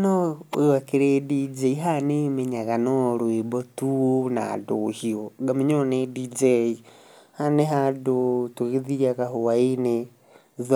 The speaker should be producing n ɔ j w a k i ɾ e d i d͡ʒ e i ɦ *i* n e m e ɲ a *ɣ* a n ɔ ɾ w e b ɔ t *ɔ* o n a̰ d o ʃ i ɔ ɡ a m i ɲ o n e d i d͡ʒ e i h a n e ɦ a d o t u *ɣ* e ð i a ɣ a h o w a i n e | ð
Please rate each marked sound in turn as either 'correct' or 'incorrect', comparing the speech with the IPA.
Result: incorrect: a, correct, incorrect: u, correct

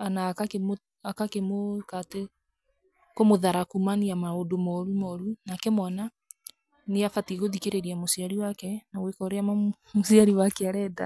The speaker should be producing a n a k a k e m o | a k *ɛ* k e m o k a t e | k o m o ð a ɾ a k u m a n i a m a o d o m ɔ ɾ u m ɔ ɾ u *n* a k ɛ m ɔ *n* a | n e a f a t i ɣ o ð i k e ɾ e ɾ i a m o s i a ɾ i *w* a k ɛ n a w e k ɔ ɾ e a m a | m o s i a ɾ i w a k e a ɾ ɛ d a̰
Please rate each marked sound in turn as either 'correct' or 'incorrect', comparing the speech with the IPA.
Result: incorrect: a, correct, correct, correct

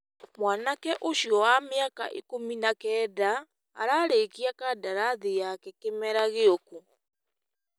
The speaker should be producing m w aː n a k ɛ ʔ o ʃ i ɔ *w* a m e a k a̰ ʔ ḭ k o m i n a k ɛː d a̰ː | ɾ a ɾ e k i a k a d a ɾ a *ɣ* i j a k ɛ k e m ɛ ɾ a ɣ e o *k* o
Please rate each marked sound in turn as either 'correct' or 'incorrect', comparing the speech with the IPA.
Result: correct, incorrect: ð, correct

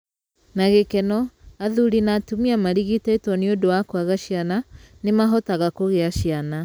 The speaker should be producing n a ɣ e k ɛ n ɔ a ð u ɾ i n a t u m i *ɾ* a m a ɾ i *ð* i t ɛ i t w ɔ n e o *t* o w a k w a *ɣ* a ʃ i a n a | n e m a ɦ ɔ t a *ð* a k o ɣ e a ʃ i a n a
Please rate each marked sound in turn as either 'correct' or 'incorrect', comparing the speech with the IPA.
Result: incorrect: none, incorrect: ɣ, incorrect: d, correct, incorrect: ɣ

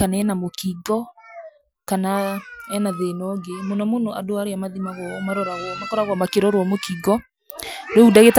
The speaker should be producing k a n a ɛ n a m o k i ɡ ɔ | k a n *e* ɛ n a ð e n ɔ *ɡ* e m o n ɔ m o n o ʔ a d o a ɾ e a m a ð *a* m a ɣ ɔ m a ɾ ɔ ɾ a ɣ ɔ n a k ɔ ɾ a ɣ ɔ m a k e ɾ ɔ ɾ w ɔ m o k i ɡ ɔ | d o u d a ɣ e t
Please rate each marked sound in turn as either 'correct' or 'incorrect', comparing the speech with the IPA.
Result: incorrect: a, correct, incorrect: i

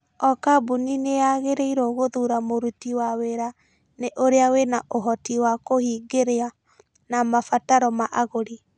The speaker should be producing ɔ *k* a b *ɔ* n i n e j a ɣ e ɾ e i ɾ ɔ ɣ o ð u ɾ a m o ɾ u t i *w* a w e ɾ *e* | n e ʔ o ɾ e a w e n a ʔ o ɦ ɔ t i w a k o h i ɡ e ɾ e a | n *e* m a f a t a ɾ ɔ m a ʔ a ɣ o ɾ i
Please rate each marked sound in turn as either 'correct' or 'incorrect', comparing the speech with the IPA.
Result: correct, incorrect: u, correct, incorrect: a, incorrect: a

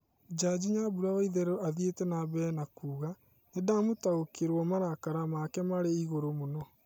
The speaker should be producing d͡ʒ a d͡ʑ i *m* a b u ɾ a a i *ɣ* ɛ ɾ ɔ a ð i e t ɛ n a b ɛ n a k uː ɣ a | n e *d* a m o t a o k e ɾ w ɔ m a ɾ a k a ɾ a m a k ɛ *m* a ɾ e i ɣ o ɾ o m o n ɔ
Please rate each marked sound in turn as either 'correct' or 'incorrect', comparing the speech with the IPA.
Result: incorrect: ɲ, incorrect: ð, correct, correct

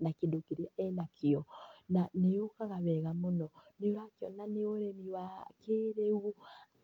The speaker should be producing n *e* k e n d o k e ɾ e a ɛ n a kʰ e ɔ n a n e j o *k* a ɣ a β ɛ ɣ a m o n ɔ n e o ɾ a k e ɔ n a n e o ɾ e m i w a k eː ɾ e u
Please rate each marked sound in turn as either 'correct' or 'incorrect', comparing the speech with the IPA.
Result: incorrect: a, correct

